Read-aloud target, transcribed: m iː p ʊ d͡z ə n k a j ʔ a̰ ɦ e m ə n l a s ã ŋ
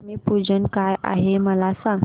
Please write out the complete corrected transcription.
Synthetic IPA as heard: m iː p u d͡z ə n k a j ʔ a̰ ɦ e m ə l a s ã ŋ